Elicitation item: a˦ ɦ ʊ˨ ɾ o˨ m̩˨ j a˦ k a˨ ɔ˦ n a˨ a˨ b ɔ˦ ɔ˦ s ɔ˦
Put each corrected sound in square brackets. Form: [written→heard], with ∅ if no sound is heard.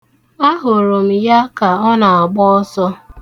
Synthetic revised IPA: a˦ ɦ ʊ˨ ɾ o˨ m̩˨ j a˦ k a˨ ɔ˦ n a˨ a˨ [b→ɡ͡b] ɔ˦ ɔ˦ s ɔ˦